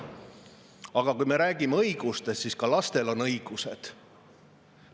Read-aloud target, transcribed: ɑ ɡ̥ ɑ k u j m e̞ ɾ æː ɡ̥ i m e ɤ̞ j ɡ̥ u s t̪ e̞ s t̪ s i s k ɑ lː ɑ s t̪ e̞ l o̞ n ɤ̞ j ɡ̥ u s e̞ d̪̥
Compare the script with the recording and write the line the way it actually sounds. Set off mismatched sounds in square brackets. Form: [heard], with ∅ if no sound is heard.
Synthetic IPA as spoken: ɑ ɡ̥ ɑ k u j m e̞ ɾ æː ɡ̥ i m e ɤ̞ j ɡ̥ u s t̪ e̞ s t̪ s i s k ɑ [l] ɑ s t̪ e̞ l o̞ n ɤ̞ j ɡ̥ u s e̞ d̪̥

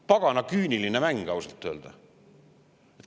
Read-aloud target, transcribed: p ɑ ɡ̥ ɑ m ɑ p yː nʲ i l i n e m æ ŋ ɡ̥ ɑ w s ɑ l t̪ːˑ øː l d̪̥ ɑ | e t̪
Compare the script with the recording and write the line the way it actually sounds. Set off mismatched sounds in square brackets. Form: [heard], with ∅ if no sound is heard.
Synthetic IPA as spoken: p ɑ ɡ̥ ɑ [n] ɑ [k] yː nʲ i l i n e m æ ŋ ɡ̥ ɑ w s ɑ l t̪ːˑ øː l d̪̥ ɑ | e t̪

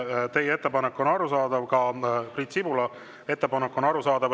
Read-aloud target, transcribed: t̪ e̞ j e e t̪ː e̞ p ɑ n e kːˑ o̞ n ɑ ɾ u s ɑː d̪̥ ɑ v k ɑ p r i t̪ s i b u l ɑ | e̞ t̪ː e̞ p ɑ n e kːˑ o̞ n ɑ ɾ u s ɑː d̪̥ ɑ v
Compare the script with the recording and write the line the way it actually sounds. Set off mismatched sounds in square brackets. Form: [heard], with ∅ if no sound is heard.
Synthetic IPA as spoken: t̪ e̞ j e e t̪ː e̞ p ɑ n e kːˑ o̞ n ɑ ɾ u s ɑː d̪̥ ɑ v k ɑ p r i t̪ s i b u l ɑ | e̞ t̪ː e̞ p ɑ n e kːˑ o̞ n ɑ ɾ u s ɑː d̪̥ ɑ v

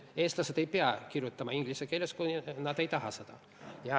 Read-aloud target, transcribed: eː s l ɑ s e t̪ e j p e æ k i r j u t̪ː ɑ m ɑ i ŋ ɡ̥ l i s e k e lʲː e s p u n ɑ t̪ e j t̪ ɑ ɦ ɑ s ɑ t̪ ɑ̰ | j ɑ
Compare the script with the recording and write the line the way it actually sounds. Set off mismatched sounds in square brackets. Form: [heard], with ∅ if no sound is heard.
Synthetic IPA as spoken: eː s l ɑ s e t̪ e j p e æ k i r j u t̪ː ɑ m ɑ i ŋ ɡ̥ l i s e k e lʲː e s [k] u n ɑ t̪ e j t̪ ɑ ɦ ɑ s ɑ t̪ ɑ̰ | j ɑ

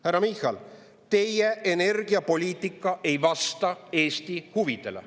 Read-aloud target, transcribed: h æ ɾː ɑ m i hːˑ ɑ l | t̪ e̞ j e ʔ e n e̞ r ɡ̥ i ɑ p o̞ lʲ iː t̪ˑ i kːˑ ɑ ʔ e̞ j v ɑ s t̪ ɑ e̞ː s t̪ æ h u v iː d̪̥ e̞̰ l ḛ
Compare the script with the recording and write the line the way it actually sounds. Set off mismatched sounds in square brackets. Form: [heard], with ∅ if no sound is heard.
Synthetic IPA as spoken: h æ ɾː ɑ m i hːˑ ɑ l | t̪ e̞ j e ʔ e n e̞ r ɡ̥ i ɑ p o̞ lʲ iː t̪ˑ i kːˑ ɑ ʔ e̞ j v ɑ s t̪ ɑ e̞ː s t̪ [i] h u v [i] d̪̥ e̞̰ l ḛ

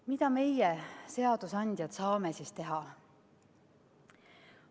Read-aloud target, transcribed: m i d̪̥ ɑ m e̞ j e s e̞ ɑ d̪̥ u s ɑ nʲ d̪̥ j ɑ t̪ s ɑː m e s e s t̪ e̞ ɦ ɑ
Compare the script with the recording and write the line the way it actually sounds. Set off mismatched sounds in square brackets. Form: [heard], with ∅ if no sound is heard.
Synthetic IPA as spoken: m i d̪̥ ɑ m e̞ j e s e̞ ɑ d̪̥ u s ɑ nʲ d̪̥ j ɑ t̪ s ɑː m e s [i] s t̪ e̞ ɦ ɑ

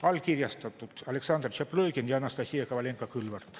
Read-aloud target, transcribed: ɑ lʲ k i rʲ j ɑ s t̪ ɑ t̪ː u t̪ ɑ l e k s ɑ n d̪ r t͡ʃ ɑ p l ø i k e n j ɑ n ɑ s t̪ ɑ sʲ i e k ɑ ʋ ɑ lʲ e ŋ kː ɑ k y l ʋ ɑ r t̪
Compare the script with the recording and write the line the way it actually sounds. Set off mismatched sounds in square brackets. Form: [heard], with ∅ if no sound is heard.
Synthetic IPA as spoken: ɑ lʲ k i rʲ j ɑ s t̪ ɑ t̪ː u t̪ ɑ l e k s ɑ n d̪ r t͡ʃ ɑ p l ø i k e n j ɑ n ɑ s t̪ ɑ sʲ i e k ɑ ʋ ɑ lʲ e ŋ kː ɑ k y l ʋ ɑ r t̪

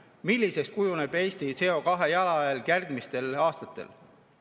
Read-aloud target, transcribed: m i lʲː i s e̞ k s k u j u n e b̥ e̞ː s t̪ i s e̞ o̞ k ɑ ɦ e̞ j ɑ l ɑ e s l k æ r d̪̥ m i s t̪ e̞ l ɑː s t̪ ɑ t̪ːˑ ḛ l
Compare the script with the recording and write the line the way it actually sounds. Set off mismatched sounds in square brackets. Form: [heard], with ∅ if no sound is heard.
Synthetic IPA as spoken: m i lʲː i s e̞ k s k u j u n e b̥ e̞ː s t̪ i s e̞ o̞ k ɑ ɦ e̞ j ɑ l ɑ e [∅] l k æ r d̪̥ m i s t̪ e̞ l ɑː s t̪ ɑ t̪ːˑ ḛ l

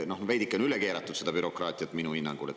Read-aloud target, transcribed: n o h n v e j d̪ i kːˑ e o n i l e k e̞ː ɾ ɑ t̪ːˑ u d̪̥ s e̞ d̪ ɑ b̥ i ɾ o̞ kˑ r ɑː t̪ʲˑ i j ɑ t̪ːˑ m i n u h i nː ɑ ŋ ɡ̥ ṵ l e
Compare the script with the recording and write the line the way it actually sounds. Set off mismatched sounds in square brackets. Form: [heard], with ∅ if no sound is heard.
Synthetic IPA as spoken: n o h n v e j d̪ i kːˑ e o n [y] l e k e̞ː ɾ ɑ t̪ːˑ u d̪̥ s e̞ d̪ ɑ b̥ [y] ɾ o̞ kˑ r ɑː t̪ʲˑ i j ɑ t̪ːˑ m i n u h i nː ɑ ŋ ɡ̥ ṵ l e

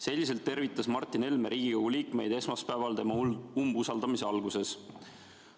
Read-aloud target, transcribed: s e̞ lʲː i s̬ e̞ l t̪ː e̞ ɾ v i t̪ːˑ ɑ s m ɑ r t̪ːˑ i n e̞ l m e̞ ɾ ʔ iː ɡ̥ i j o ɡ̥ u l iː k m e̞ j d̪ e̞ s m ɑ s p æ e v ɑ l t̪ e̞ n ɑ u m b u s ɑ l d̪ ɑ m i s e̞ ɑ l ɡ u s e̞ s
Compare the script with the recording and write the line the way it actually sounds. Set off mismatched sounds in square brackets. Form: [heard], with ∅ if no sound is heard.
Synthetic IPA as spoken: s e̞ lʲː i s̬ e̞ l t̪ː e̞ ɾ v i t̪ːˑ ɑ s m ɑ r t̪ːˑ i n e̞ l m e̞ ɾ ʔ iː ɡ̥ i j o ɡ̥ u l iː k m e̞ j d̪ e̞ s m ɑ s p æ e v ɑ l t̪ e̞ [m] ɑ u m b u s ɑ l d̪ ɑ m i s e̞ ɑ l ɡ u s e̞ s

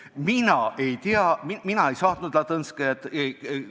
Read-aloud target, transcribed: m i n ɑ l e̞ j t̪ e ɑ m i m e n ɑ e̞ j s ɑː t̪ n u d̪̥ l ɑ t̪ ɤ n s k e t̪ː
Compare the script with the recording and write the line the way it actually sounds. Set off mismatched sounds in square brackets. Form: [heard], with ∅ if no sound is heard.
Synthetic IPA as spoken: m i n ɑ [∅] e̞ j t̪ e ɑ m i m [i] n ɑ e̞ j s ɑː t̪ n u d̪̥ l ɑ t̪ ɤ n s k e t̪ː

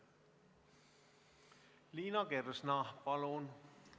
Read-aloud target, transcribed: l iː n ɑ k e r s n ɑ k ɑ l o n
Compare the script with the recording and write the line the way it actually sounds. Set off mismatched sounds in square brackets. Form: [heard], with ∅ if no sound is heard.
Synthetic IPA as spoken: l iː n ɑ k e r s n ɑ [p] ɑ l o n

